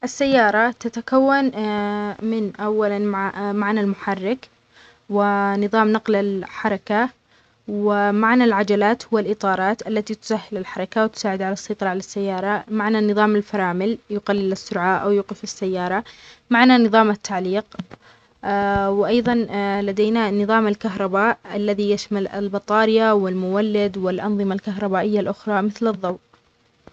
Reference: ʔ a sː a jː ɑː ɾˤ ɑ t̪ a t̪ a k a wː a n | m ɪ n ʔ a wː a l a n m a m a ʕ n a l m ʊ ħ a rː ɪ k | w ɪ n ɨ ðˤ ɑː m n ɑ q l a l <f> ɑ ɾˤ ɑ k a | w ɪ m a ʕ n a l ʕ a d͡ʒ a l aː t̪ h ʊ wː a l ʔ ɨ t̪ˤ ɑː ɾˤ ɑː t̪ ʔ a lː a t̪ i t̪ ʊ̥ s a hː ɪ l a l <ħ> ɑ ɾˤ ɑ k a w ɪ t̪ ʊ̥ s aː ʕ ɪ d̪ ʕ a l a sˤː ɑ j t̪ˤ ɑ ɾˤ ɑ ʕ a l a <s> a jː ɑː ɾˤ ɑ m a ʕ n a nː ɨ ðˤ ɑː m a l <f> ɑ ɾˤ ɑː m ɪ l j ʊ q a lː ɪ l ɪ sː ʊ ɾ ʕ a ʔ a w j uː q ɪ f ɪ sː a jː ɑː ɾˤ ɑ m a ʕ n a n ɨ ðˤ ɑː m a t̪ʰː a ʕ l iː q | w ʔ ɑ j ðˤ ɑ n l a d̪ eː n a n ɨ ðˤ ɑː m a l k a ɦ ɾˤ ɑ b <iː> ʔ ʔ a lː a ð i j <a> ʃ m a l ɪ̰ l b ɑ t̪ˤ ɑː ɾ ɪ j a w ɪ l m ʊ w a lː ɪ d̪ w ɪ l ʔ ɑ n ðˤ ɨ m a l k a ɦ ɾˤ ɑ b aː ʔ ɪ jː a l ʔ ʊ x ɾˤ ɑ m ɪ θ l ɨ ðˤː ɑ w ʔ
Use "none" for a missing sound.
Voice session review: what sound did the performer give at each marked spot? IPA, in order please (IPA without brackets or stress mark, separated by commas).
ħ, ħ, sː, f, aː, a